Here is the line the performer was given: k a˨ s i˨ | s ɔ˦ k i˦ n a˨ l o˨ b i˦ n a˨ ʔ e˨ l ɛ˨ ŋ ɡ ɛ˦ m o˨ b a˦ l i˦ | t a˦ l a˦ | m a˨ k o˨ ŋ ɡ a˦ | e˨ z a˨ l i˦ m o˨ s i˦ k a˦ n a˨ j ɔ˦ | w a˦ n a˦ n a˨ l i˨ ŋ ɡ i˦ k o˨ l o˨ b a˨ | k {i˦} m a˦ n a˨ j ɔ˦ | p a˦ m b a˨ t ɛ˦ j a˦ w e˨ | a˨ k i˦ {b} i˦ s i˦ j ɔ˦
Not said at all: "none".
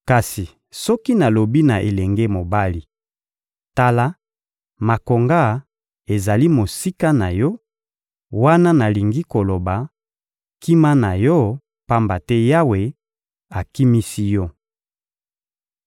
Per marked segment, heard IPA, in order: i˦, m

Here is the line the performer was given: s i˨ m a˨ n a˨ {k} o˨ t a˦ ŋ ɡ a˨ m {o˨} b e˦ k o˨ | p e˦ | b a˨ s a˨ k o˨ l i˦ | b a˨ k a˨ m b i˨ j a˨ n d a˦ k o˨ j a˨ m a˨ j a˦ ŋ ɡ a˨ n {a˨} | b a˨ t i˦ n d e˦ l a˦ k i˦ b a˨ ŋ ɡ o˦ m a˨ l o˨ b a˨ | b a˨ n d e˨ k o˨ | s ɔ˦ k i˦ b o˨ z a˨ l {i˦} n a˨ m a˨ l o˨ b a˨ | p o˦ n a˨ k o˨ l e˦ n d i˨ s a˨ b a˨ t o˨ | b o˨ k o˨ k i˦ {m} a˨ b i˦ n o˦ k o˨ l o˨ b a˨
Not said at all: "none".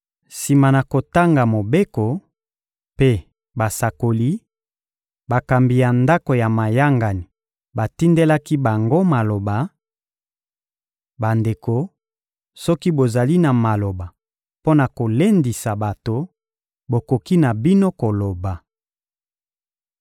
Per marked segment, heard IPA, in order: k, o˨, i˨, i˦, n

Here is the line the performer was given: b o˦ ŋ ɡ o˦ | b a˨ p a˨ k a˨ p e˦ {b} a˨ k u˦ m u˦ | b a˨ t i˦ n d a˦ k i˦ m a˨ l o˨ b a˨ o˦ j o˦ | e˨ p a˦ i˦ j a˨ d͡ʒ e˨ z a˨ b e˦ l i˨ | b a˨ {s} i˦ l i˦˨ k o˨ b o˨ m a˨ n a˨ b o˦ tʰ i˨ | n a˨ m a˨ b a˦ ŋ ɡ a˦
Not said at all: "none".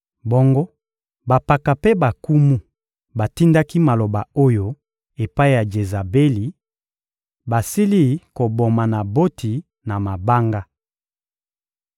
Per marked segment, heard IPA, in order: b, s

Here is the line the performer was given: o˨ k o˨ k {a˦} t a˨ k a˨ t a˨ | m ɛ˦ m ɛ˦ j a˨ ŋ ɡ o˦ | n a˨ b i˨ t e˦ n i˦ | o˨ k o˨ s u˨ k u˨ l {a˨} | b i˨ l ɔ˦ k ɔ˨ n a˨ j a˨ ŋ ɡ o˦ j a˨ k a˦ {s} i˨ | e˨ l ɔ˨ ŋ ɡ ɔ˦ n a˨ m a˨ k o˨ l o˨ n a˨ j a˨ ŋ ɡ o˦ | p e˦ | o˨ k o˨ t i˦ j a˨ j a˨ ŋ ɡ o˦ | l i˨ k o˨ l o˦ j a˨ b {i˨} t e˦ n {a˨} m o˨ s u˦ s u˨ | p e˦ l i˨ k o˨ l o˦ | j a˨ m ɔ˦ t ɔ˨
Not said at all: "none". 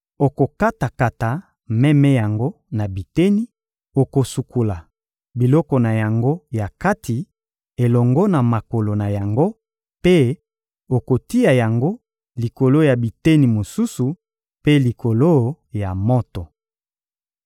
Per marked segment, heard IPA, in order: a˦, a˨, t, i˨, i˨

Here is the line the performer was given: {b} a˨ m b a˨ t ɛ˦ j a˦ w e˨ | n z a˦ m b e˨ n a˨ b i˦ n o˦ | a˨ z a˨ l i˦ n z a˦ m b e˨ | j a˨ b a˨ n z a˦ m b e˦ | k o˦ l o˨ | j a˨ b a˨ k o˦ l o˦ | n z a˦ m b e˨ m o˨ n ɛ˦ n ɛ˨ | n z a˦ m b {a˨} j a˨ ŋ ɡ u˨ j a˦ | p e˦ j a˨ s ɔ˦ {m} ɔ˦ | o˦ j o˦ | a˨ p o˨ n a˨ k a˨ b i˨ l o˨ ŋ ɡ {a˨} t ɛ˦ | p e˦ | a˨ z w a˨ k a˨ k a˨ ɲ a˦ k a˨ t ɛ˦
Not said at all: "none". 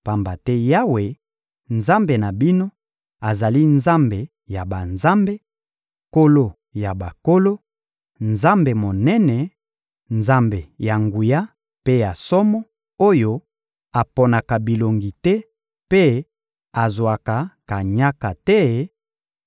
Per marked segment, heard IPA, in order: p, e˨, m, i˨

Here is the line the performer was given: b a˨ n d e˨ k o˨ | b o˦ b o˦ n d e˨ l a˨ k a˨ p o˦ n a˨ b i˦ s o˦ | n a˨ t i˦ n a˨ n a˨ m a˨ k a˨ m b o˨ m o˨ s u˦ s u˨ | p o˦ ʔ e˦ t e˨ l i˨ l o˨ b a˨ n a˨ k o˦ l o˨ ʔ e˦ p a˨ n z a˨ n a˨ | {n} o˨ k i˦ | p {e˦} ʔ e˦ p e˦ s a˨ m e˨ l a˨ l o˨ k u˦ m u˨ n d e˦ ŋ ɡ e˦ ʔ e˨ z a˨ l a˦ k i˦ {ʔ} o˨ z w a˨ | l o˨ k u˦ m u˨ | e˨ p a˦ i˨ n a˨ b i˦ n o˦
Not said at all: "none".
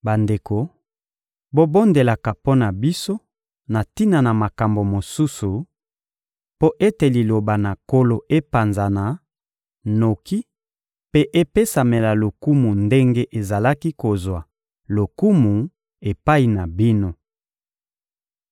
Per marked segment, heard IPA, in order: n, e˦, k

